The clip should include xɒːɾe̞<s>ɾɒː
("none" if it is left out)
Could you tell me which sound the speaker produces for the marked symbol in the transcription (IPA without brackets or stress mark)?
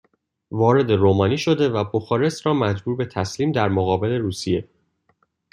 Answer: s